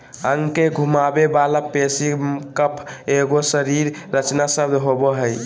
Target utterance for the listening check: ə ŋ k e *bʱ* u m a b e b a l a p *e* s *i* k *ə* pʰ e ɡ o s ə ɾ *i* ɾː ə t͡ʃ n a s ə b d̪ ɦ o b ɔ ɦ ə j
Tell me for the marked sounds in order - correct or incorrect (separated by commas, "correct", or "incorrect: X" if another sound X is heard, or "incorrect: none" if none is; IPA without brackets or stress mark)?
incorrect: ɡʱ, correct, correct, correct, correct